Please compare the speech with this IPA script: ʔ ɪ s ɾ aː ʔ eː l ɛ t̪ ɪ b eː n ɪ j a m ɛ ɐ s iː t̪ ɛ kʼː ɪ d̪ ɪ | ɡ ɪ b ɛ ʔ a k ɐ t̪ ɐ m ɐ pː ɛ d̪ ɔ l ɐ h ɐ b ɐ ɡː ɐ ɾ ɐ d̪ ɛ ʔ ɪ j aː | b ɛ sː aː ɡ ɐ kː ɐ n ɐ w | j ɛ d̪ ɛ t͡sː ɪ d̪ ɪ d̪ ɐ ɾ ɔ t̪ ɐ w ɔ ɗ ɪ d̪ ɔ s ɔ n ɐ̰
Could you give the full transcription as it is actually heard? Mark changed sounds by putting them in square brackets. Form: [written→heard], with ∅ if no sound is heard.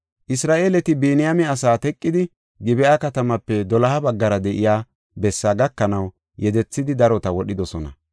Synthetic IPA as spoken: ʔ ɪ s ɾ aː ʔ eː l ɛ t̪ ɪ b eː n ɪ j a m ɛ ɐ s [iː→aː] t̪ ɛ kʼː ɪ d̪ ɪ | ɡ ɪ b ɛ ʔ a k ɐ t̪ ɐ m ɐ pː ɛ d̪ ɔ l ɐ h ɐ b ɐ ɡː ɐ ɾ ɐ d̪ ɛ ʔ ɪ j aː | b ɛ sː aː ɡ ɐ kː ɐ n ɐ w | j ɛ d̪ ɛ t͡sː ɪ d̪ ɪ d̪ ɐ ɾ ɔ t̪ ɐ w ɔ ɗ ɪ d̪ ɔ s ɔ n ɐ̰

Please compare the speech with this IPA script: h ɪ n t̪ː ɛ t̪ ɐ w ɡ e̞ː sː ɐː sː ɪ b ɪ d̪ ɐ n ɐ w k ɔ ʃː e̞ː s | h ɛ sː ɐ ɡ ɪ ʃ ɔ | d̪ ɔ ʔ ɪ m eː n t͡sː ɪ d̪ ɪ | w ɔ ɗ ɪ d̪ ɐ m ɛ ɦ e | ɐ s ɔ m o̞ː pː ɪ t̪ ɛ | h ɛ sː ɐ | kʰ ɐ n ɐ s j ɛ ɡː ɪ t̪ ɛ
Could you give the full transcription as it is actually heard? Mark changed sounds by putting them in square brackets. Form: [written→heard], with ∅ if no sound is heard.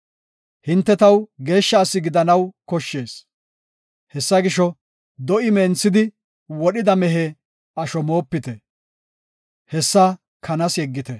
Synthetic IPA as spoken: h ɪ n t̪ː ɛ t̪ ɐ w ɡ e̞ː [sː→ʃː] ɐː sː ɪ [b→ɡ] ɪ d̪ ɐ n ɐ w k ɔ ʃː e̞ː s | h ɛ sː ɐ ɡ ɪ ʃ ɔ | d̪ ɔ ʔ ɪ m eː n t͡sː ɪ d̪ ɪ | w ɔ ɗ ɪ d̪ ɐ m ɛ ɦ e | ɐ [s→ʃ] ɔ m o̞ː pː ɪ t̪ ɛ | h ɛ sː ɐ | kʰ ɐ n ɐ s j ɛ ɡː ɪ t̪ ɛ

